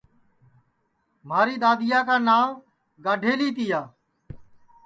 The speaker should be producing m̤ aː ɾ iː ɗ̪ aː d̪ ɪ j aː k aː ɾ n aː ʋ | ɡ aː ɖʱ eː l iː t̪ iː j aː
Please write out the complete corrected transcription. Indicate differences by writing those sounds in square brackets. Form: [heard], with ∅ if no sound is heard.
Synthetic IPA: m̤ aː ɾ iː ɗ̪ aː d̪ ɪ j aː k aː [∅] n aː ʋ | ɡ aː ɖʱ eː l iː t̪ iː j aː